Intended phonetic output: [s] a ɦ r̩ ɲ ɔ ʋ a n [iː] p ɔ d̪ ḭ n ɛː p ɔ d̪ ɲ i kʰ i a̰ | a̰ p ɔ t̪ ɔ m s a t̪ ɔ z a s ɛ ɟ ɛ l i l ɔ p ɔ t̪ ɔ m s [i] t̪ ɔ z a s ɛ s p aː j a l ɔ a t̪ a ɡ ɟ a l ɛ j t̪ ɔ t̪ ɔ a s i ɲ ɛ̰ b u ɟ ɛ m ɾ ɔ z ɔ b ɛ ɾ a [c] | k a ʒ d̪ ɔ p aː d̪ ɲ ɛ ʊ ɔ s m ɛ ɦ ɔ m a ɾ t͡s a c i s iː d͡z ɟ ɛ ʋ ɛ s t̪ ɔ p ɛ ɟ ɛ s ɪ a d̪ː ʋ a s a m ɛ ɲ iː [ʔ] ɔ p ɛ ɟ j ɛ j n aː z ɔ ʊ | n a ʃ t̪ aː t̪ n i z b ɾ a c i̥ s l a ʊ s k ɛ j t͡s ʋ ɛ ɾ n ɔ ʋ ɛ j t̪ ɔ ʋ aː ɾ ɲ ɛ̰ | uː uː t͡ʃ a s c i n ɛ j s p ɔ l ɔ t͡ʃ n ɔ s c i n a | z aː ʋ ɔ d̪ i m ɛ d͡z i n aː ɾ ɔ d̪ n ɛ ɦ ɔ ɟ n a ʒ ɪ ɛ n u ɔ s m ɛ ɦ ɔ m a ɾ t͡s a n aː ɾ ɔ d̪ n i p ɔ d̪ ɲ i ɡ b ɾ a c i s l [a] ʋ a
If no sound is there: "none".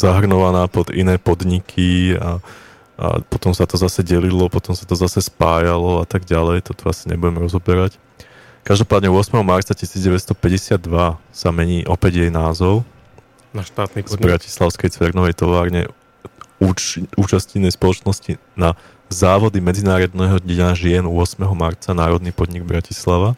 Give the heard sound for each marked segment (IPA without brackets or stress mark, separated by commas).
z, aː, a, c, ʔ, a